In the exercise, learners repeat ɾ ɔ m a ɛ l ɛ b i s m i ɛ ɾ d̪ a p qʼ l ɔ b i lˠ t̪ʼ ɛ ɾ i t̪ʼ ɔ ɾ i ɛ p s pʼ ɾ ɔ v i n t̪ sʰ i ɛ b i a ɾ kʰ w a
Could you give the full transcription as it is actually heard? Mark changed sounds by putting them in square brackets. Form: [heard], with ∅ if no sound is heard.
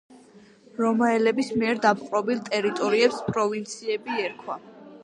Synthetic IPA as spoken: ɾ ɔ m a ɛ l ɛ b i s m i ɛ ɾ d̪ a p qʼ [ɾ] ɔ b i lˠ t̪ʼ ɛ ɾ i t̪ʼ ɔ ɾ i ɛ p s pʼ ɾ ɔ v i n t̪ sʰ i ɛ b i [ɛ] ɾ kʰ w a